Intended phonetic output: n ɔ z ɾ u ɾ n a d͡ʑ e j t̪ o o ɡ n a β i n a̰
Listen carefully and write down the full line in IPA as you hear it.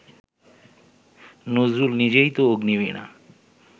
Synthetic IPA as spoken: n o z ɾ u l n i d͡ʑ e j t̪ o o ɡ n i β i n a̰